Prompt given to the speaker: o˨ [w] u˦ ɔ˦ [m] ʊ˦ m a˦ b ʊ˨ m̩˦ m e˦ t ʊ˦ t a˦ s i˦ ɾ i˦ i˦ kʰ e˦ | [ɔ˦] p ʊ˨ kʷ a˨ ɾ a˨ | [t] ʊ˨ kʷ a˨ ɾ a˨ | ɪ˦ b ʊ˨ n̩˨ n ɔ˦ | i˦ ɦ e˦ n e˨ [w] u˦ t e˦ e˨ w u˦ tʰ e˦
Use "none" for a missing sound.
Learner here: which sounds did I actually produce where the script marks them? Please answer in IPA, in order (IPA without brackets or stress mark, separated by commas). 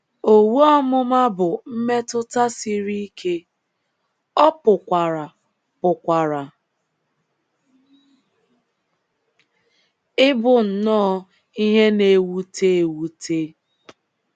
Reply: w, m, ɔ˦, p, w